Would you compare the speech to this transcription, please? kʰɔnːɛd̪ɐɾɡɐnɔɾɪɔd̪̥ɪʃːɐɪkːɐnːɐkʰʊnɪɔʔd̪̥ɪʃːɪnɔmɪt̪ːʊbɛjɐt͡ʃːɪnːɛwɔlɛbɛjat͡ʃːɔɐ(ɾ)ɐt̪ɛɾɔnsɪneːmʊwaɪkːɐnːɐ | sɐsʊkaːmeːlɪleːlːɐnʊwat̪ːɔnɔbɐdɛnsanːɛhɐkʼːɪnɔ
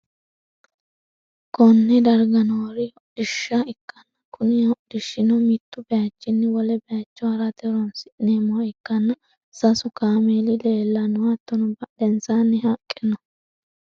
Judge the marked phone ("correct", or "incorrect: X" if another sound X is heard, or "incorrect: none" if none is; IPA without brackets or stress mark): correct